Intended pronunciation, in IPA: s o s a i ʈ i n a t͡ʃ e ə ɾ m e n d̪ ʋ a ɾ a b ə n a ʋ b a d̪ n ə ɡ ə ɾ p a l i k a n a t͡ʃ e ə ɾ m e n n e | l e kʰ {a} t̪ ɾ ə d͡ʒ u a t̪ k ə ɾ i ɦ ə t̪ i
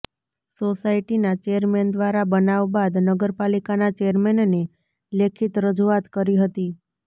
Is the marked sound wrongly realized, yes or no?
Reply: yes